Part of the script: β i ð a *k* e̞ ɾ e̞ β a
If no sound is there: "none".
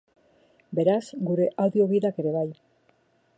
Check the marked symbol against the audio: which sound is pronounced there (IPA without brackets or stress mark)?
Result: k